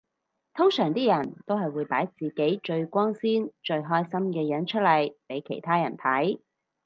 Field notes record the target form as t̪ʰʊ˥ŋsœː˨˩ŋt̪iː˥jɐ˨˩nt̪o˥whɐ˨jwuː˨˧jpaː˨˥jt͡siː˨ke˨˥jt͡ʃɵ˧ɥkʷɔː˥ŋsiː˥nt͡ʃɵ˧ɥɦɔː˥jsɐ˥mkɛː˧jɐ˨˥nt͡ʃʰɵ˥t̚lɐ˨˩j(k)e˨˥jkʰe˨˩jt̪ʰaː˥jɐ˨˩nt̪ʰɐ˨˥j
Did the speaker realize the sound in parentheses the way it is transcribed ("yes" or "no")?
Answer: no